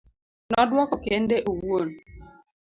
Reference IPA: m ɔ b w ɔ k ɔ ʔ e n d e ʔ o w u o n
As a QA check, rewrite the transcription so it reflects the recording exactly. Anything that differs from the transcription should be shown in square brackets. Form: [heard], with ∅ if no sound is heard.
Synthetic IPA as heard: [n] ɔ [d] w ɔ k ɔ [k] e n d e ʔ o w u o n